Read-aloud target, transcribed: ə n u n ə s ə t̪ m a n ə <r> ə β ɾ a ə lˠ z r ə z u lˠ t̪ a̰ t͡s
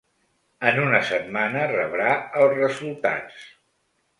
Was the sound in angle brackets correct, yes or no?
yes